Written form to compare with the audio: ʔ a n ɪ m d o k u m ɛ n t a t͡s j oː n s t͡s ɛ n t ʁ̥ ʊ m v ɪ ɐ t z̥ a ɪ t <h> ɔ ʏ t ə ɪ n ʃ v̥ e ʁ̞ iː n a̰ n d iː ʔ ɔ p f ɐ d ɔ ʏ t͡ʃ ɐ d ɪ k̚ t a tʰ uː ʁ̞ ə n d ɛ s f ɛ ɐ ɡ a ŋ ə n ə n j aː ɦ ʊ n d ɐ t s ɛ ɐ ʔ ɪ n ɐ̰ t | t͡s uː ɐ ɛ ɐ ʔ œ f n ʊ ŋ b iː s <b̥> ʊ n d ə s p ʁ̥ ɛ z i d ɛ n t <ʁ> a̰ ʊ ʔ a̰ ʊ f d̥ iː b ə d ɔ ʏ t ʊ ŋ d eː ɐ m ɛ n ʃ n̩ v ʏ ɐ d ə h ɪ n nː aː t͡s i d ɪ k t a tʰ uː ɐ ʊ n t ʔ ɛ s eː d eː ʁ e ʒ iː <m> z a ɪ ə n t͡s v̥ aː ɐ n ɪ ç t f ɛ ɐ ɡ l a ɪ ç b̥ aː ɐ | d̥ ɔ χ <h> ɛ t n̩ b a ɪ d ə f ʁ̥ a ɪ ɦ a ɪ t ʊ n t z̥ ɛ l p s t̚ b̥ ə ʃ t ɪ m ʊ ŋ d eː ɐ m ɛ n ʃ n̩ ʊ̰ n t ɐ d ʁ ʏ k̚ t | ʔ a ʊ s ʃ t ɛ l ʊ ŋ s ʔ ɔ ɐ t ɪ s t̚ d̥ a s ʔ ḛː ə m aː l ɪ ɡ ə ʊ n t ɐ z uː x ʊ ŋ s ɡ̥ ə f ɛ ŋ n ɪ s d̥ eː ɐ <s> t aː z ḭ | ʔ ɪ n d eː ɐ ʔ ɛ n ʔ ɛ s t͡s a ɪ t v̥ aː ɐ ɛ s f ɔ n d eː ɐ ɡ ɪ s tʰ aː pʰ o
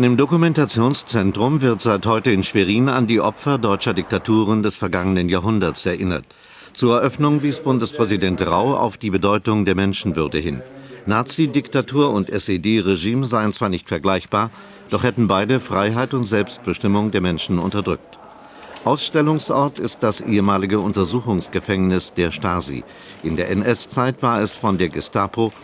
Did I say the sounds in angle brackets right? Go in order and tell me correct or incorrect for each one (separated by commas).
correct, correct, correct, correct, correct, incorrect